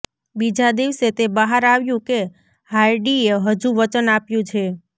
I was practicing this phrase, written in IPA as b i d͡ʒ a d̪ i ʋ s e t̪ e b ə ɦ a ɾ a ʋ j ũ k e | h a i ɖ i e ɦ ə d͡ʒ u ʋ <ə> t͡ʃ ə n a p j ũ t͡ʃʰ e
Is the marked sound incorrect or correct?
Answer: correct